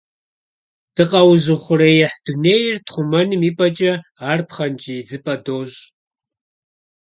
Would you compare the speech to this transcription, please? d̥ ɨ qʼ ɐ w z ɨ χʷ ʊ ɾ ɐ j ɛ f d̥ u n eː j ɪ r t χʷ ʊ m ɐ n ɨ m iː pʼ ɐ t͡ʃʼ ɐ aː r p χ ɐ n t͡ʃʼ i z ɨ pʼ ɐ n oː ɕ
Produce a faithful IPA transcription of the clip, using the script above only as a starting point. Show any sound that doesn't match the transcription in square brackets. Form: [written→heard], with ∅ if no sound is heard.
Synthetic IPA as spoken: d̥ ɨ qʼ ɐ w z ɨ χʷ ʊ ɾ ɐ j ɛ [f→ħ] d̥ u n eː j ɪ r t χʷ ʊ m ɐ n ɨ m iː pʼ ɐ t͡ʃʼ ɐ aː r p χ ɐ n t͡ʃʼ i [z→d͡z] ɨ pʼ ɐ [n→d] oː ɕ